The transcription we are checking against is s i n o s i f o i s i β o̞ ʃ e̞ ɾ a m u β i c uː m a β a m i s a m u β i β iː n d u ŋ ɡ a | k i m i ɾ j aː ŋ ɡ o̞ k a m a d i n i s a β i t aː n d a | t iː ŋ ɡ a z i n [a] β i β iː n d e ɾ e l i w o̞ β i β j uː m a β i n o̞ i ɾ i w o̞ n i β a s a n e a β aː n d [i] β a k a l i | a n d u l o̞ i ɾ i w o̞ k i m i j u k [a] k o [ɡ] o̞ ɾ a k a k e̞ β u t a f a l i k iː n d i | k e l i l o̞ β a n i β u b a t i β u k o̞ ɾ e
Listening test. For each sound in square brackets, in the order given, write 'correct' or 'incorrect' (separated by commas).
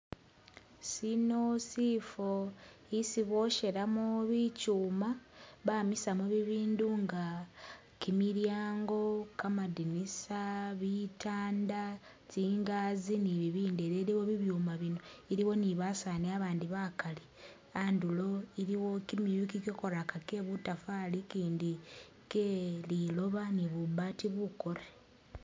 incorrect, correct, incorrect, incorrect